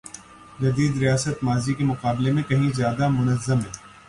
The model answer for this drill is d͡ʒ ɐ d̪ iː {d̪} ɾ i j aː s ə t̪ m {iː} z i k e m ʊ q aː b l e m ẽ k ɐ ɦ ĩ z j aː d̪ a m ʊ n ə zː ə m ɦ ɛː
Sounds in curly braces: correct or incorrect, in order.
correct, incorrect

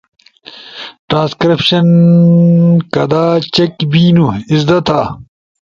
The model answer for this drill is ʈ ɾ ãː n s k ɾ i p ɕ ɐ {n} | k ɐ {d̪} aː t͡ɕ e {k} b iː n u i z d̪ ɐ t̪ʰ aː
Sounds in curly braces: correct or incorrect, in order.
correct, correct, correct

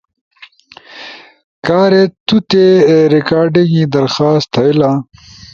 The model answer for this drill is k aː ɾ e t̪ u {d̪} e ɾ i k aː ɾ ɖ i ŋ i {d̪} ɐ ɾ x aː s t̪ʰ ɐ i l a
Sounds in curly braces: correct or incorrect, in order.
incorrect, correct

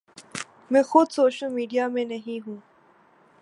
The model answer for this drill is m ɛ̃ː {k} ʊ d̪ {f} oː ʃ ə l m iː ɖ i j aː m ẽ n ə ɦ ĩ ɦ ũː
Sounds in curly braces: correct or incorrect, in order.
incorrect, incorrect

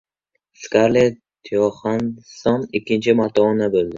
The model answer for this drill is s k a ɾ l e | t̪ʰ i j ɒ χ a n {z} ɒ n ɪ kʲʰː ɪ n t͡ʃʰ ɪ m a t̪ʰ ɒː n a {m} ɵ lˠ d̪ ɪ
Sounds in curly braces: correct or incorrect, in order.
incorrect, incorrect

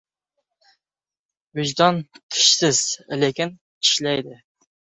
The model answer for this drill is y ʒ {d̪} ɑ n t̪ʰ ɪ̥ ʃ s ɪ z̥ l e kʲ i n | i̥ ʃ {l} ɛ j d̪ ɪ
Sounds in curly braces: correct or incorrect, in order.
correct, correct

